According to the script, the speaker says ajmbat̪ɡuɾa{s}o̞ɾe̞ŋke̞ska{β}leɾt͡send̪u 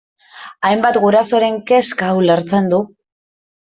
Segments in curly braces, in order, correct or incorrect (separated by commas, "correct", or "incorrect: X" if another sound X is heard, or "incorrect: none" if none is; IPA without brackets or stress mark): correct, incorrect: w